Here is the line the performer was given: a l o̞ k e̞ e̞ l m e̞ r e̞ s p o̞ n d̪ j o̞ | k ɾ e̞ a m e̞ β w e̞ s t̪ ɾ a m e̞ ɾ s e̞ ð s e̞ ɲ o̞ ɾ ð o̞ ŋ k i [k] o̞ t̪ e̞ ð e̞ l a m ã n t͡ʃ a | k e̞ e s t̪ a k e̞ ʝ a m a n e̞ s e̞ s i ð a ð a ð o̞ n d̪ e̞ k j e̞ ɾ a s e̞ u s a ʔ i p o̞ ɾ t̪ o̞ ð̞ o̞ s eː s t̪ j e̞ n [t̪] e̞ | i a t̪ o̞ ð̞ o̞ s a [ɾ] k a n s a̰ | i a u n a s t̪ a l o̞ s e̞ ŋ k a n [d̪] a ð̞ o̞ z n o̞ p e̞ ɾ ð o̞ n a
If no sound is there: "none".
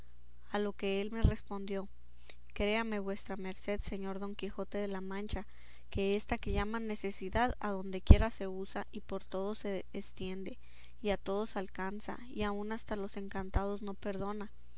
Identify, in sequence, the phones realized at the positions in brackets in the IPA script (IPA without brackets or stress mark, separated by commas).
x, d̪, l, t̪